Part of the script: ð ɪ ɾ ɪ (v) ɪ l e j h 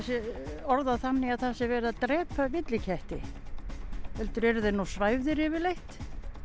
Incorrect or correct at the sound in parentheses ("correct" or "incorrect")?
correct